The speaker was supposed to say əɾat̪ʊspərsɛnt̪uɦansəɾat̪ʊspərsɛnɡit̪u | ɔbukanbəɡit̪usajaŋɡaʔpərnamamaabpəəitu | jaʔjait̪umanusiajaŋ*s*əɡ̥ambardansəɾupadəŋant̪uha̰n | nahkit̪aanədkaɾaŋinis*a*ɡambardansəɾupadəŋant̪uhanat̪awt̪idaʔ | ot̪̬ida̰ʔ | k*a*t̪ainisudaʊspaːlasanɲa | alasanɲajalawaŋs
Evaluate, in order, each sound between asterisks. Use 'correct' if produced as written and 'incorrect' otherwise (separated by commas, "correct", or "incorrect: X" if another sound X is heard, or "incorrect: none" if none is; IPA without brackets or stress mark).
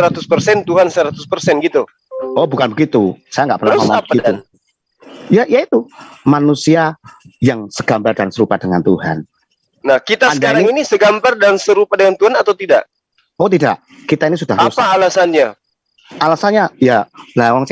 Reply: correct, incorrect: ə, incorrect: i